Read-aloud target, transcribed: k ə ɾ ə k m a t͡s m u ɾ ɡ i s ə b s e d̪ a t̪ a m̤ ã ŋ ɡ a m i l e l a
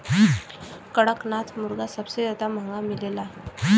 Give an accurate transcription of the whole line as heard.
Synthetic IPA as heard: k ə ɽ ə k n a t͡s m u ɾ ɡ a s ə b s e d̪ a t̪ a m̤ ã ŋ ɡ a m i l e l a

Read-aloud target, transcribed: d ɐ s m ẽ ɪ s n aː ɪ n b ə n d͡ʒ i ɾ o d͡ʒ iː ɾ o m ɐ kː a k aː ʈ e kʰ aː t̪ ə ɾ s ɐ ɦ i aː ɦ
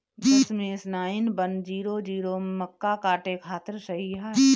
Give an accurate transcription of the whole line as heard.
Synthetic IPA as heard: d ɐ s m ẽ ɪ s n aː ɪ n b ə n d͡ʒ iː ɾ o d͡ʒ iː ɾ o m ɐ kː a k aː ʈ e kʰ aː t̪ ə ɾ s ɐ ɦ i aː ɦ

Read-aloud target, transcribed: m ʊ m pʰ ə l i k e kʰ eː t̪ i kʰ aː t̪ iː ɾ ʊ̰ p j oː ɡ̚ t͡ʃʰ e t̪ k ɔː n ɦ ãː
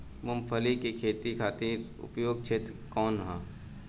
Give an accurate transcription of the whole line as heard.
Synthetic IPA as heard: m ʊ m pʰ ə l i k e kʰ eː t̪ i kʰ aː t̪ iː ɾ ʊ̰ p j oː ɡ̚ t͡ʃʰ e t̪ k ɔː n ɦ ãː

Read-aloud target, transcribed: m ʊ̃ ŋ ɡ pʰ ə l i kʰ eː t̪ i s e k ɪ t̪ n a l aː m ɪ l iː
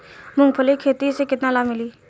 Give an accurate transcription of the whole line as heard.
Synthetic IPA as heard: m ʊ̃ ŋ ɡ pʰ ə l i kʰ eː t̪ i s e k ɪ t̪ n a l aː m ɪ l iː

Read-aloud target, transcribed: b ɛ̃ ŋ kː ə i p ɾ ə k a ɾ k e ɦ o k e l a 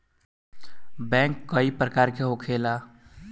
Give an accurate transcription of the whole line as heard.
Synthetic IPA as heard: b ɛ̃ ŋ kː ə i p ɾ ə k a ɾ k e ɦ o kʰ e l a

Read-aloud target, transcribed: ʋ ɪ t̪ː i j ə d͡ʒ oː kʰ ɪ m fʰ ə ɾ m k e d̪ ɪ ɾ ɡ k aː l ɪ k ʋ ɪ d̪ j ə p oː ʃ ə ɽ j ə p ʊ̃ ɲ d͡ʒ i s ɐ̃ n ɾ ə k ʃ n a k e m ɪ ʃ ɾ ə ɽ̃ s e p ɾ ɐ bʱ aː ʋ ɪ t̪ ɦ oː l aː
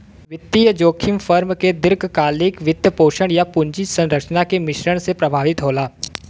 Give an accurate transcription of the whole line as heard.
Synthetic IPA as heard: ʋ ɪ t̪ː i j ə d͡ʒ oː kʰ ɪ m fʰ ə ɾ m k e d̪ ɪ ɾ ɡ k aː l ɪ k ʋ ɪ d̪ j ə p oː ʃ ə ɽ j a p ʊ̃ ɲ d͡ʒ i s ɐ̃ n ɾ ə k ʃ n a k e m ɪ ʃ ɾ ə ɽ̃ s e p ɾ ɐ bʱ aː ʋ ɪ t̪ ɦ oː l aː

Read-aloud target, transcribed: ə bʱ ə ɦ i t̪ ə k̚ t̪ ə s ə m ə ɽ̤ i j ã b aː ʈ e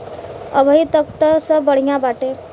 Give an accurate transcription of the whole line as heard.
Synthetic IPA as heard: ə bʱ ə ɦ i t̪ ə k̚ t̪ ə s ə b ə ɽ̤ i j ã b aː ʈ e

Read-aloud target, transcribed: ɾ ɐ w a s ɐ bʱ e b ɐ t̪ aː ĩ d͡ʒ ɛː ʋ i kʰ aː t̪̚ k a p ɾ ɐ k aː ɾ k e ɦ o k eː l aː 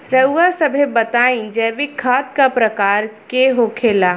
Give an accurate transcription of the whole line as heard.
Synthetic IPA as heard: ɾ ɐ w a s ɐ bʱ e b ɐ t̪ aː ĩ d͡ʒ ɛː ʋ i kʰ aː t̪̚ k a p ɾ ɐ k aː ɾ k e ɦ o kʰ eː l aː

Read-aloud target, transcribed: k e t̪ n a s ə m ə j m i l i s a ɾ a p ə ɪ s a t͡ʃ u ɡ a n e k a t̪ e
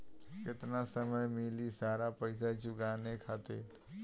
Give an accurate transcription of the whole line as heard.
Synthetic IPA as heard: k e t̪ n a s ə m ə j m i l i s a ɾ a p ə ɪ s a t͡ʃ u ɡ a n e kʰ a t̪ e

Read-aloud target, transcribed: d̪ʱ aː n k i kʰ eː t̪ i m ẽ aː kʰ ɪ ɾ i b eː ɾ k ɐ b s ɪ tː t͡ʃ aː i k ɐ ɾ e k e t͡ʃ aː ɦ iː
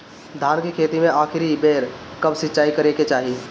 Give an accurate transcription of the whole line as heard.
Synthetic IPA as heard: d̪ʱ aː n k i kʰ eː t̪ i m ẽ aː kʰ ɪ ɾ i b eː ɾ k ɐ b s ɪ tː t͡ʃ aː i k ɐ ɾ e k e t͡ʃ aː ɦ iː

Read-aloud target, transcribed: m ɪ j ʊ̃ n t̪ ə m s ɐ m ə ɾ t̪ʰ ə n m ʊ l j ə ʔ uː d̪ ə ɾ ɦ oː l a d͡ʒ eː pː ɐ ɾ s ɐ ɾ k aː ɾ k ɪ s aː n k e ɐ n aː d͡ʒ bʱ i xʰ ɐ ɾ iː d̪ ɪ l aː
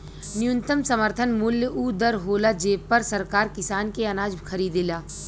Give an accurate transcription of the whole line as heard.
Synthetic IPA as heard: n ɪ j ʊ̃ n t̪ ə m s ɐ m ə ɾ t̪ʰ ə n m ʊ l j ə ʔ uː d̪ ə ɾ ɦ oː l a d͡ʒ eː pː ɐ ɾ s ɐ ɾ k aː ɾ k ɪ s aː n k e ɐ n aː d͡ʒ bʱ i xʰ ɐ ɾ iː d̪ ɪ l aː

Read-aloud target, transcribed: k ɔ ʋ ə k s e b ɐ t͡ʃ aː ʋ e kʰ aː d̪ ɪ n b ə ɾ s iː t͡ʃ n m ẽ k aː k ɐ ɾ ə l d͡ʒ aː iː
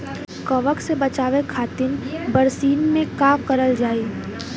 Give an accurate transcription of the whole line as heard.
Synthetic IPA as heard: k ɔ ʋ ə k s e b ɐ t͡ʃ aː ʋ e kʰ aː t̪ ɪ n b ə ɾ s iː n m ẽ k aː k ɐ ɾ ə l d͡ʒ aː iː

